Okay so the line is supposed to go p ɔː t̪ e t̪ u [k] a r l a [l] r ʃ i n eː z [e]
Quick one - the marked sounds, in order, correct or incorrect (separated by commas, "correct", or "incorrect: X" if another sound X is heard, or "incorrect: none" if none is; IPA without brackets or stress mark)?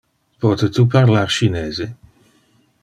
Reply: incorrect: p, incorrect: none, correct